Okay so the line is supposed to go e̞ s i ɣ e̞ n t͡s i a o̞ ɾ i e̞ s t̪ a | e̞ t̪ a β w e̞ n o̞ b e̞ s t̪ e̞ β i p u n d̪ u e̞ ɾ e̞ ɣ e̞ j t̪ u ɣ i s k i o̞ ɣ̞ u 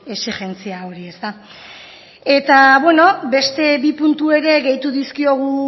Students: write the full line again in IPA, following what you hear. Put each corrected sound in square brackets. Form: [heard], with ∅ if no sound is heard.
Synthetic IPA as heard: e̞ s i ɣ e̞ n t͡s i a o̞ ɾ i e̞ s t̪ a | e̞ t̪ a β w e̞ n o̞ b e̞ s t̪ e̞ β i p u n [t̪] u e̞ ɾ e̞ ɣ e̞ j t̪ u [ð] i s k i o̞ ɣ̞ u